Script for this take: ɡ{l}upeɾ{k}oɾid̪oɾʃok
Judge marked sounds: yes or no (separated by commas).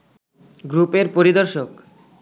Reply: no, no